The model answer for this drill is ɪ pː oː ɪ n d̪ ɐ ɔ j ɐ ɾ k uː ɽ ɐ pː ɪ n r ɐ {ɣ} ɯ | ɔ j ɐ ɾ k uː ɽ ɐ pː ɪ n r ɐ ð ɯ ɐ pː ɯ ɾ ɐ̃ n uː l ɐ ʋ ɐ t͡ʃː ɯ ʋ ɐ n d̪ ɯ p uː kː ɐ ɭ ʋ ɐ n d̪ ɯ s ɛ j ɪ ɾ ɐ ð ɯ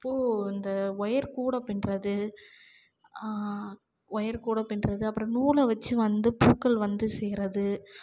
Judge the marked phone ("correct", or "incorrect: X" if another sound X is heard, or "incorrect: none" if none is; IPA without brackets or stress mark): incorrect: ð